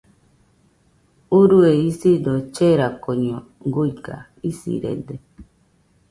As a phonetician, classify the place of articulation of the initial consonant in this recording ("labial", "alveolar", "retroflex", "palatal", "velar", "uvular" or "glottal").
alveolar